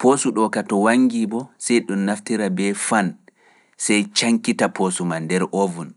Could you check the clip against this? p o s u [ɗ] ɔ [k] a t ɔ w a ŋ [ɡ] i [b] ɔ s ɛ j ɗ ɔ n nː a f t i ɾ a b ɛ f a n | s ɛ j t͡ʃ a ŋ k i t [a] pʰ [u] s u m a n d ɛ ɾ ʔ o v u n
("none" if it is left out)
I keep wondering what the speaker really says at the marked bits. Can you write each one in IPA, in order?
ɗ, k, ɡ, b, a, o

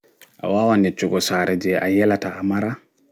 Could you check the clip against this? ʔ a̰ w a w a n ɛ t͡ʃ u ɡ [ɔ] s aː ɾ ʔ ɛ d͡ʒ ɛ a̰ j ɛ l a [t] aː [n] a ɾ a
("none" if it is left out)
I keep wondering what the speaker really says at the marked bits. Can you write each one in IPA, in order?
ɔ, t, m

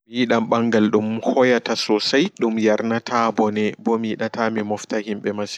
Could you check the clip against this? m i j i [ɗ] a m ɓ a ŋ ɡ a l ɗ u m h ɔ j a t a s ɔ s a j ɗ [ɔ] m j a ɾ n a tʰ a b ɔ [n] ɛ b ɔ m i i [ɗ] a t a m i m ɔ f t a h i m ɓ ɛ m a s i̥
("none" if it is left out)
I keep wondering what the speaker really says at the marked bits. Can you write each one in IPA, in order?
ɗ, u, n, ɗ

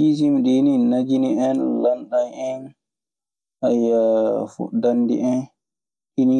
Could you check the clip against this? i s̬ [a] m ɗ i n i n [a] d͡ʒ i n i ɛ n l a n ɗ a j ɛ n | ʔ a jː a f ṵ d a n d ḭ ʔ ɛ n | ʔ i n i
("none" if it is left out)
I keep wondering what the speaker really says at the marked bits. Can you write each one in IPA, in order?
i, a

